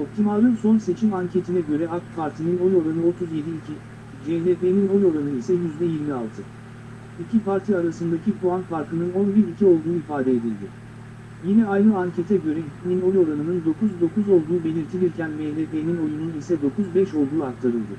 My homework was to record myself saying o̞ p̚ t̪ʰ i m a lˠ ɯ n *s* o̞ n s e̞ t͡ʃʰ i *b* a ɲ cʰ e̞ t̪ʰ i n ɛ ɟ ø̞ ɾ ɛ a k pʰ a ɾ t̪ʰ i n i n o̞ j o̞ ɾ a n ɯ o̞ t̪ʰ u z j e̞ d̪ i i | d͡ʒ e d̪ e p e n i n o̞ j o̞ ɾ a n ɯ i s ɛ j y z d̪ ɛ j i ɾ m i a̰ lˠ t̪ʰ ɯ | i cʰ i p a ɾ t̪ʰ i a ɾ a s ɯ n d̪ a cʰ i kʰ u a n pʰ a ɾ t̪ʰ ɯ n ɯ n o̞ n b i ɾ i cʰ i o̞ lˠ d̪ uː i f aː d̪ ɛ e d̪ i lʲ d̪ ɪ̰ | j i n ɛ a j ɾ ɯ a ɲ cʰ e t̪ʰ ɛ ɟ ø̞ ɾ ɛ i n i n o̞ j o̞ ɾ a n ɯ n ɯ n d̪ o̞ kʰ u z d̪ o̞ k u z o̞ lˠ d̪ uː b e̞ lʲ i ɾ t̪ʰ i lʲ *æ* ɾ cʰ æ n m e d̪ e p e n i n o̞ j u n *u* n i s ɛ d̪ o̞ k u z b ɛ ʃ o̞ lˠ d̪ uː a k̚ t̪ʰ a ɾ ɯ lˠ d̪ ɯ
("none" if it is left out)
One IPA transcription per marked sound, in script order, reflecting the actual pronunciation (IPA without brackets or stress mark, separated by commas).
s, m, i, u